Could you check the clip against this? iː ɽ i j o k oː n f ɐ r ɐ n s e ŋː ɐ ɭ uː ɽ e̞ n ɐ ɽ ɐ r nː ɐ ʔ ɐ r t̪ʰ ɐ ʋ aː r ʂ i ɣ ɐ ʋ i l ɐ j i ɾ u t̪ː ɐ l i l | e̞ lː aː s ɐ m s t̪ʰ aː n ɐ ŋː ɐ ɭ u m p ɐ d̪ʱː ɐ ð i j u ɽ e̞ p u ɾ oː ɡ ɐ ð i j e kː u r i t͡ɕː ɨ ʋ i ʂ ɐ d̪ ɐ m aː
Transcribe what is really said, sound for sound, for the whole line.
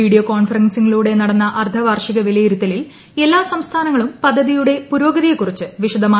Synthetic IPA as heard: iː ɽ i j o k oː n f ɐ r ɐ n s i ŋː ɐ ɭ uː ɽ e̞ n ɐ ɽ ɐ nː ɐ ʔ ɐ r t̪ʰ ɐ ʋ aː r ʂ i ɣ ɐ ʋ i l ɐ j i ɾ u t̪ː ɐ l i l | e̞ lː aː s ɐ m s t̪ʰ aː n ɐ ŋː ɐ ɭ u m p ɐ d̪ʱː ɐ ð i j u ɽ e̞ p u ɾ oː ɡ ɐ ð i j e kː u r i t͡ɕː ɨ ʋ i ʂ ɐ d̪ ɐ m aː